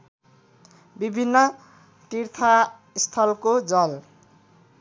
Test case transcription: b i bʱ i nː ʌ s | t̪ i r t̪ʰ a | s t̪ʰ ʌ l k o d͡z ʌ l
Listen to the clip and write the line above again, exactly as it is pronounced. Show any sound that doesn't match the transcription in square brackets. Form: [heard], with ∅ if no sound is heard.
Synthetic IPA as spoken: b i bʱ i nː ʌ [∅] | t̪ i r t̪ʰ a | s t̪ʰ ʌ l k o d͡z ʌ l